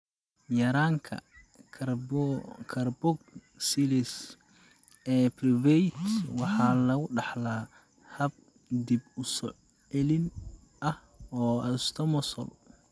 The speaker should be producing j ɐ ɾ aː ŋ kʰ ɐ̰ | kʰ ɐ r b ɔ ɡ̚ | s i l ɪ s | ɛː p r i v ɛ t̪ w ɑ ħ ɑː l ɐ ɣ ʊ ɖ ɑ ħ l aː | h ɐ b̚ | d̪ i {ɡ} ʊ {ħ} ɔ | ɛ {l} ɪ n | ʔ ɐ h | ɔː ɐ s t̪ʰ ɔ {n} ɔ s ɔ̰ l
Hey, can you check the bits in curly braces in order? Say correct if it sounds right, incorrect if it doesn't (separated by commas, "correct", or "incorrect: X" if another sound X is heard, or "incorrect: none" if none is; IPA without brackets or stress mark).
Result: incorrect: b, incorrect: s, correct, incorrect: m